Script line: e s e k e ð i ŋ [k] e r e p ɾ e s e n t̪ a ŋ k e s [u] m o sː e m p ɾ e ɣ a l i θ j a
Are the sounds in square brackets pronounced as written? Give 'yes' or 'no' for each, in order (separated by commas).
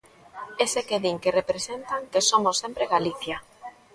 yes, no